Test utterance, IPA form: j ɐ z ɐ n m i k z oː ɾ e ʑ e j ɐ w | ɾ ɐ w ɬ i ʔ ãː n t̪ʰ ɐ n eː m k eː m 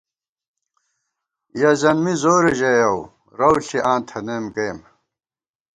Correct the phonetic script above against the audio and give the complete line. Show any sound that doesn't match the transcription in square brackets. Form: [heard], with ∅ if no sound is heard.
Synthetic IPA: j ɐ z ɐ n m i [∅] z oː ɾ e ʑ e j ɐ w | ɾ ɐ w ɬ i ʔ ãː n t̪ʰ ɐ n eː m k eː m